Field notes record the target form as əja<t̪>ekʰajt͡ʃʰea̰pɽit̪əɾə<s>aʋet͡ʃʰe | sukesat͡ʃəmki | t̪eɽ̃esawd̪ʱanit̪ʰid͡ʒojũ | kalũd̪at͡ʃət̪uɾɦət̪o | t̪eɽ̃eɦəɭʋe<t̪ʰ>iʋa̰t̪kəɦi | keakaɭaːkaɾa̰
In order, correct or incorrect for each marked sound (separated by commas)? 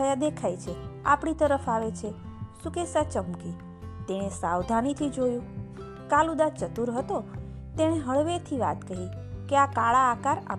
incorrect, incorrect, correct